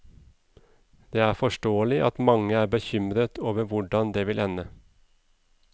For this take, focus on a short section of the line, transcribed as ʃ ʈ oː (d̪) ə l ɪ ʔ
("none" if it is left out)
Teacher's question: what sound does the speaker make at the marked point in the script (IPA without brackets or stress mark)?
none